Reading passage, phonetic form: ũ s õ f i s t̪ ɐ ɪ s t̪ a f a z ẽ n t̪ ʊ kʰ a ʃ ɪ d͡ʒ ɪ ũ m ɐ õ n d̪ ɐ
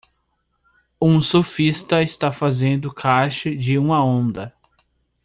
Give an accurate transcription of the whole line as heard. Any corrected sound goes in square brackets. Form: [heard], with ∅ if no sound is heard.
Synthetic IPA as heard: ũ s [o] f i s t̪ ɐ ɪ s t̪ a f a z ẽ n [d̪] ʊ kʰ a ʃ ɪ d͡ʒ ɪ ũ m ɐ õ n d̪ ɐ